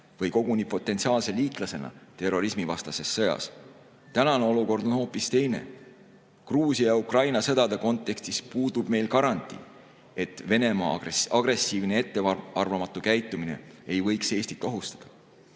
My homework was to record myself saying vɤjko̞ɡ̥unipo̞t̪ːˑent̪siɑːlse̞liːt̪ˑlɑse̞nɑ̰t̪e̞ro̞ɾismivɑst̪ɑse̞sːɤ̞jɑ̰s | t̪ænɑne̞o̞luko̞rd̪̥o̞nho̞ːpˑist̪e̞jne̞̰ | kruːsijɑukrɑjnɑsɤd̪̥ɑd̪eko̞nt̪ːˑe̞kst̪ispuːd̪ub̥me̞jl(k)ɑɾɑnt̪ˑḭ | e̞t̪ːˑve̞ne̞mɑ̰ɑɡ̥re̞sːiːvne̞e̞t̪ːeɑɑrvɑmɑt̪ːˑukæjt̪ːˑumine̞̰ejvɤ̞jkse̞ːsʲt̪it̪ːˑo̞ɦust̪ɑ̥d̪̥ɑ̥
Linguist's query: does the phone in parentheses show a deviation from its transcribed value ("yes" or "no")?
no